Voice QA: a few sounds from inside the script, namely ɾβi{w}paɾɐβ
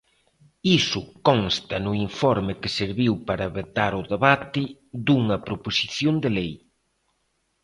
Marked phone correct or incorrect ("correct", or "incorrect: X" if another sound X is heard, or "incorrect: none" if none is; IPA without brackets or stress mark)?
correct